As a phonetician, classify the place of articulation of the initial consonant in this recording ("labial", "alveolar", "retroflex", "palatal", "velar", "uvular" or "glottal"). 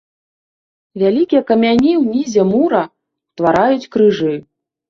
labial